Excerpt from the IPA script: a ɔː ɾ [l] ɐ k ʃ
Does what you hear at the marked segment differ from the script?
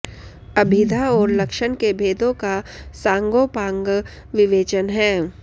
no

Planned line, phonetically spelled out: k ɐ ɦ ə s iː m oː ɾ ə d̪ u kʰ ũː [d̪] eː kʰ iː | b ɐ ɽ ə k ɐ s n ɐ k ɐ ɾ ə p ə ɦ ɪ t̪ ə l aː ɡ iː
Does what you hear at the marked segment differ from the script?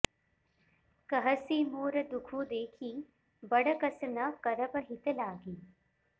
no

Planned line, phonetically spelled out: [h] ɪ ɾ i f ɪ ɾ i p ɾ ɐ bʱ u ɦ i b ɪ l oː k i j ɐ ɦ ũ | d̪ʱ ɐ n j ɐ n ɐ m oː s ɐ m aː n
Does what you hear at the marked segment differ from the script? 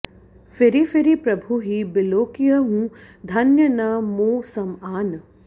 yes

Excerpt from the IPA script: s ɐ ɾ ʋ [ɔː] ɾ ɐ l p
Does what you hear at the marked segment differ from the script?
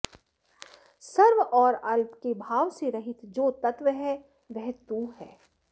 no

